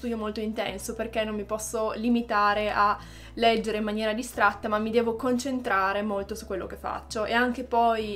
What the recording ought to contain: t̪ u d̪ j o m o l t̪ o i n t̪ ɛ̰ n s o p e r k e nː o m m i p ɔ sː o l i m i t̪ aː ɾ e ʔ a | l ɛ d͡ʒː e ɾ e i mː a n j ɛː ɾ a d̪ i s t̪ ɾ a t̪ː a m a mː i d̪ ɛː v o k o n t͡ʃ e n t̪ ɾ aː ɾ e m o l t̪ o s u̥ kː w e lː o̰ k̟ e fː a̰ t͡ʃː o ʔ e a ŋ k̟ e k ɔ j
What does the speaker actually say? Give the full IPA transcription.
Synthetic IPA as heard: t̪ u d̪ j o m o l t̪ o i n t̪ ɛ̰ n s o p e r k e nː o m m i p ɔ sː o l i m i t̪ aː ɾ e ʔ a | l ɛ d͡ʒː e ɾ e i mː a n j ɛː ɾ a d̪ i s t̪ ɾ a t̪ː a m a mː i d̪ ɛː v o k o n t͡ʃ e n t̪ ɾ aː ɾ e m o l t̪ o s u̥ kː w e lː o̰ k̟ e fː a̰ t͡ʃː o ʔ e a ŋ k̟ e p ɔ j